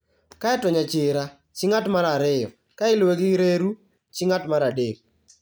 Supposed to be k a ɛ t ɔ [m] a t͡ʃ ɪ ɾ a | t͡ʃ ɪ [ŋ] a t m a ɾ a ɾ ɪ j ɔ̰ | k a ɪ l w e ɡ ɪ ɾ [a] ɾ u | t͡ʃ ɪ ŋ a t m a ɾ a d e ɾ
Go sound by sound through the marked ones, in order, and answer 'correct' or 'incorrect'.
incorrect, correct, incorrect

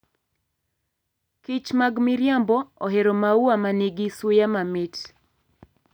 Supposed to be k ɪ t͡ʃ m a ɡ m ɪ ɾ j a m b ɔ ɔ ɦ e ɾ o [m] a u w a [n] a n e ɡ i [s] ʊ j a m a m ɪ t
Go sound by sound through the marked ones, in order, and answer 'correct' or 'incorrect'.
correct, incorrect, correct

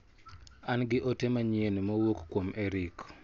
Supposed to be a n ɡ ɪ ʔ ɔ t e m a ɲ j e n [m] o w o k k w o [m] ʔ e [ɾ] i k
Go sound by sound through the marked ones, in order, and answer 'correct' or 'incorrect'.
correct, correct, correct

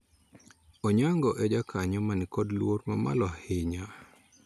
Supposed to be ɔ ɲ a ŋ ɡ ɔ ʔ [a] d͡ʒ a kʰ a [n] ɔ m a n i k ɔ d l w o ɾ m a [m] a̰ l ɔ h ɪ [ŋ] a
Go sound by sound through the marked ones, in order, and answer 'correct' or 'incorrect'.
incorrect, incorrect, correct, incorrect

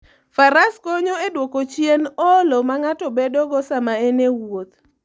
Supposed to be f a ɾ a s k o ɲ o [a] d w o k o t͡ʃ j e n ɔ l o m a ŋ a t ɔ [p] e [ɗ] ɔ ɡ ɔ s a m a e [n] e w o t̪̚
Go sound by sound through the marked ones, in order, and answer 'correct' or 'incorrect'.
incorrect, incorrect, incorrect, correct

